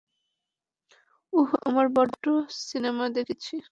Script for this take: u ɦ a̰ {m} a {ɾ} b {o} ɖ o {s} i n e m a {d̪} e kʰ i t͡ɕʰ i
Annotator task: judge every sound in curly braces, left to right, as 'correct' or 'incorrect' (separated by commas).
correct, correct, incorrect, correct, correct